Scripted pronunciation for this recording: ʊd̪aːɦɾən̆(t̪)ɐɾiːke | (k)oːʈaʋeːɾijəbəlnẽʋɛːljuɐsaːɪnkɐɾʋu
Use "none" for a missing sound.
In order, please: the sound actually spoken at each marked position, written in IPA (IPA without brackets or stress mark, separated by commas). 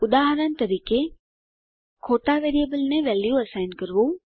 t̪, kʰ